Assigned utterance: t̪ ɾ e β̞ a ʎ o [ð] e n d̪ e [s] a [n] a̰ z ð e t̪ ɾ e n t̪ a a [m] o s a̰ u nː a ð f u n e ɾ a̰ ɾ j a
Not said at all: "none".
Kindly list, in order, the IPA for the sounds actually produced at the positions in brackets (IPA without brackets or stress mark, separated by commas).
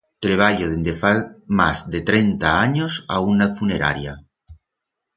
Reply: ð, f, m, ɲ